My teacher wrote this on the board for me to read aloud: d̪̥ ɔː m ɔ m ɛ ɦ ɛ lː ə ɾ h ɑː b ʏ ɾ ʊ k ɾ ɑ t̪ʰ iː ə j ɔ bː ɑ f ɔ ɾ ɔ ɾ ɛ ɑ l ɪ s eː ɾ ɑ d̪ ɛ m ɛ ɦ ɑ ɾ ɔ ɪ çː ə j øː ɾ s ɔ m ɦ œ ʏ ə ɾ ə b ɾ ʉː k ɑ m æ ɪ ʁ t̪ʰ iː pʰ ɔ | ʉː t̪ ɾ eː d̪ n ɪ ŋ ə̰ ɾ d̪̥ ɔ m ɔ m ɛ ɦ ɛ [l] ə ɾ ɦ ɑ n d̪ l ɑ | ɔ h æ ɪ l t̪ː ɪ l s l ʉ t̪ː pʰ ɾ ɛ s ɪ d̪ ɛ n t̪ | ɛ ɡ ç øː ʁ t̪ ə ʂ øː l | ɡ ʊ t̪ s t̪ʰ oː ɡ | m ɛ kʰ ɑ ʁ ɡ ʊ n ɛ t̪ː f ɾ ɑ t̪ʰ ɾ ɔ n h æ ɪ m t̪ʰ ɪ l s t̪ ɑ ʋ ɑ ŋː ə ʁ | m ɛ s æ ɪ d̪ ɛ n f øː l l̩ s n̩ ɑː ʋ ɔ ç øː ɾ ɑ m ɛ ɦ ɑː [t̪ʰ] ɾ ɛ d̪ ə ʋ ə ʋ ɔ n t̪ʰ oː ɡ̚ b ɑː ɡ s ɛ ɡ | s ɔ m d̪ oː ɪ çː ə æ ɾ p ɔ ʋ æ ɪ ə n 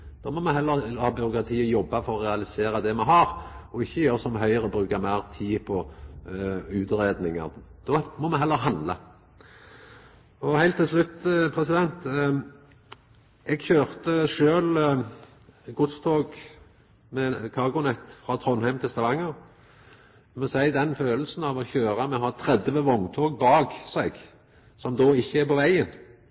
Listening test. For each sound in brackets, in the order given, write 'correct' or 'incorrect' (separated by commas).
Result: incorrect, correct